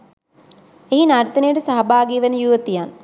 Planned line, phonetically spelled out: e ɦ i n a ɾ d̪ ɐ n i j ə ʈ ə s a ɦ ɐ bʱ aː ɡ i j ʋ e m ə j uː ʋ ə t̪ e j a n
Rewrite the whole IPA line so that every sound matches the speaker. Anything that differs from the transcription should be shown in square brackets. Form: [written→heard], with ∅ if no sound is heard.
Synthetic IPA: e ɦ i n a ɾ [d̪→t̪] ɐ n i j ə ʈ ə s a ɦ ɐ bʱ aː ɡ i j ʋ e [m→n] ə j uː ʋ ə t̪ [e→i] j a n